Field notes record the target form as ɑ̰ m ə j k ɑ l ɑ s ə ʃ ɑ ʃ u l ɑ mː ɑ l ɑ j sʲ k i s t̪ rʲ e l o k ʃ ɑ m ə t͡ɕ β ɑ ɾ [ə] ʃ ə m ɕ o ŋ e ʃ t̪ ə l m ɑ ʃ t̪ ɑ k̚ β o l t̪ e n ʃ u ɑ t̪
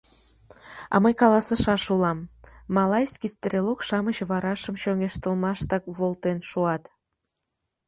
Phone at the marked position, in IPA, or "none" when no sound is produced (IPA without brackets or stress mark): ɑ